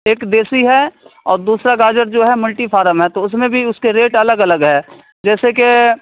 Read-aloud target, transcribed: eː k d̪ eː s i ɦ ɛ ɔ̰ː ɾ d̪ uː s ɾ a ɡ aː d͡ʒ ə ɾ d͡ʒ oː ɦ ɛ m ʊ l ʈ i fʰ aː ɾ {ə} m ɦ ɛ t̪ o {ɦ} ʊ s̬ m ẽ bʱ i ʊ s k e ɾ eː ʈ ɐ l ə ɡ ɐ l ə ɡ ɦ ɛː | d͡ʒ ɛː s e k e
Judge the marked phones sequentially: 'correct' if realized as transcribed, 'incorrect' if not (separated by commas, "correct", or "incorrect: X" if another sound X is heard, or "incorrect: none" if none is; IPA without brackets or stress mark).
correct, incorrect: none